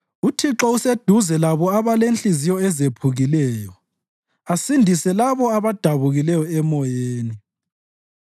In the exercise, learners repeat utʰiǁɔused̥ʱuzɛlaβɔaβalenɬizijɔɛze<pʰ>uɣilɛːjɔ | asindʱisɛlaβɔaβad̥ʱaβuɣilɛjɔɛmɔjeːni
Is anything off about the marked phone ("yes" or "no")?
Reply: no